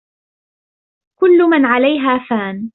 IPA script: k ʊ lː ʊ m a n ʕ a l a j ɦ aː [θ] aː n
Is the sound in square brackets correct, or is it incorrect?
incorrect: f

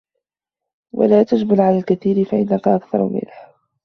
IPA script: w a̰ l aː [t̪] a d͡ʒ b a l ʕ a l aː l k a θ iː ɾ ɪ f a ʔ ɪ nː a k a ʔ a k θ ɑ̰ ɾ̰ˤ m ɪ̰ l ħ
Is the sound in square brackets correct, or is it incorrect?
correct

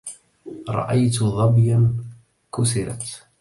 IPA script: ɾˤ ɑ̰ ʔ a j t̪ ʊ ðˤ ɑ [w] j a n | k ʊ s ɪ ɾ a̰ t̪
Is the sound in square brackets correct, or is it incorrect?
incorrect: b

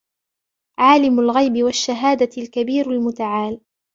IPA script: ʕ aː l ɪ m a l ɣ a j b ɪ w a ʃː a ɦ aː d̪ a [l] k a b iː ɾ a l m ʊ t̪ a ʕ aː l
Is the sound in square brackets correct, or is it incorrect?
correct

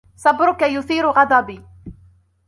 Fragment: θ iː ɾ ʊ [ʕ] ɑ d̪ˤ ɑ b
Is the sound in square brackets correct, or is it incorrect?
incorrect: ɣ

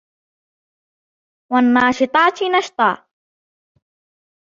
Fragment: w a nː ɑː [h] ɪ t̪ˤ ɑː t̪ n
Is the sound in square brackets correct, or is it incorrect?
incorrect: ʃ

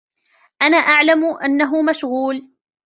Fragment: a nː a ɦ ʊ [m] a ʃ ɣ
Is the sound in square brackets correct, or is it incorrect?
correct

